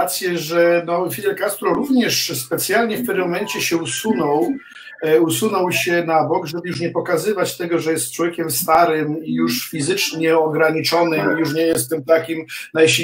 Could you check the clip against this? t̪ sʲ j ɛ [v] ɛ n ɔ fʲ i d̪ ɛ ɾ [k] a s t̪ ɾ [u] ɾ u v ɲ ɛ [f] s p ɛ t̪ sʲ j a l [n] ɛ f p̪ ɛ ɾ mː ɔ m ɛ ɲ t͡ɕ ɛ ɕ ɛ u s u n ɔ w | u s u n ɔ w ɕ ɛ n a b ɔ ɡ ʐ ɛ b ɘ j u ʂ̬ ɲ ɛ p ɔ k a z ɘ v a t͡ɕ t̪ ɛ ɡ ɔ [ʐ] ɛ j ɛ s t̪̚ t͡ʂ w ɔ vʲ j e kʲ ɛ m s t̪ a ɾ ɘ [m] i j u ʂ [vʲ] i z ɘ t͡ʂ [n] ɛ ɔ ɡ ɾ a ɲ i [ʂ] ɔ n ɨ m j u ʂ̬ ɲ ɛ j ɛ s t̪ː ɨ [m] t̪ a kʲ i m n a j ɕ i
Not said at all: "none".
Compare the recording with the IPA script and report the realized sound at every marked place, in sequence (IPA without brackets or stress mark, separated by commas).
ʐ, k, ɔ, ʂ, ɲ, ʐ, m, fʲ, ɲ, t͡ʂ, m